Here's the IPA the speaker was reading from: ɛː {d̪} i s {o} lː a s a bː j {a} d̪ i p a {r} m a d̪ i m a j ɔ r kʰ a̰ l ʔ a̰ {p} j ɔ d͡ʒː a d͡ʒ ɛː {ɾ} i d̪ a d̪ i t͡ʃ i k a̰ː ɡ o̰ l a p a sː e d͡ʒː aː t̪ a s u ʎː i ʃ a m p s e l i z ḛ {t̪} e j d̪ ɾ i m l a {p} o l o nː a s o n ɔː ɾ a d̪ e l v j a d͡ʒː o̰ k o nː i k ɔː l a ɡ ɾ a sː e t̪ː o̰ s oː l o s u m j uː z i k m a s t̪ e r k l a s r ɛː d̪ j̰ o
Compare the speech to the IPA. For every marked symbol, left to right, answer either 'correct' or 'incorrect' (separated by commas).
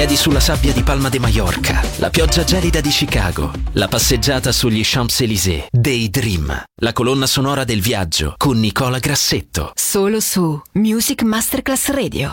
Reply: correct, incorrect, correct, incorrect, correct, incorrect, incorrect, incorrect